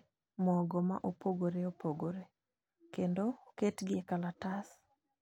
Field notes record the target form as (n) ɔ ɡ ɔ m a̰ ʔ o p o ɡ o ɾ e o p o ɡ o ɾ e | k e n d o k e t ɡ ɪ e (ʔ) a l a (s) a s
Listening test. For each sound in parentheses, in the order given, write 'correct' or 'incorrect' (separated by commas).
incorrect, incorrect, incorrect